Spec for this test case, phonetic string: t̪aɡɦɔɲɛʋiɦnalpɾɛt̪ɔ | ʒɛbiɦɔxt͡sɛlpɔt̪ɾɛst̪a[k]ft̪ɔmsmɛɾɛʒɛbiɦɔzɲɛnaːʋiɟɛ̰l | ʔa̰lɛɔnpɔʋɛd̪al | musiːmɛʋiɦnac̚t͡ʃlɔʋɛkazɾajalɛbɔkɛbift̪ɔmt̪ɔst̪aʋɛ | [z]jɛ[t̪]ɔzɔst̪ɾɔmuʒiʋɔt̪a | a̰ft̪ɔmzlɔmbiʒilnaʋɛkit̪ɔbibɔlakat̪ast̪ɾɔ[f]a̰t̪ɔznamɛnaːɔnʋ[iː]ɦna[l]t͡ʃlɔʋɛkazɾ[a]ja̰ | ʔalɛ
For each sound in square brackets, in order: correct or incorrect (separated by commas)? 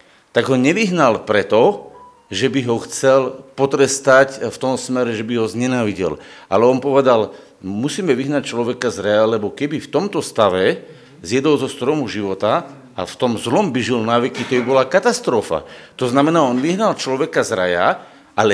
incorrect, correct, incorrect, correct, incorrect, correct, correct